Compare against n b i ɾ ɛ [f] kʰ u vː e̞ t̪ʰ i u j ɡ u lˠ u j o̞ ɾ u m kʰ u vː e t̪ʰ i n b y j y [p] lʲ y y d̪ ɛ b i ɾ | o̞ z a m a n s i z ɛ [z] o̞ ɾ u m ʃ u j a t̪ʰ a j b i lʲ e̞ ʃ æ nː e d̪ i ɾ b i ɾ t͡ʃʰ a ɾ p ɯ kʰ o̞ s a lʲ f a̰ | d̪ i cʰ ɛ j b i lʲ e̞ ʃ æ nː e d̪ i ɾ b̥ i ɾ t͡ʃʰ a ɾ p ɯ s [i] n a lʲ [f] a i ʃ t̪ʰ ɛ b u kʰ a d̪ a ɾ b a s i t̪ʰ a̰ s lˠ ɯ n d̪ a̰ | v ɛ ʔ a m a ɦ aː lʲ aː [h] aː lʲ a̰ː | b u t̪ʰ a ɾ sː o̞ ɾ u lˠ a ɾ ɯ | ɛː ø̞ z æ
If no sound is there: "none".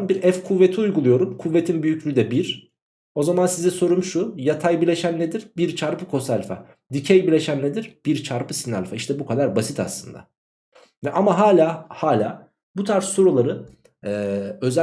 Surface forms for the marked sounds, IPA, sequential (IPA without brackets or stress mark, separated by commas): f, c, s, i, f, h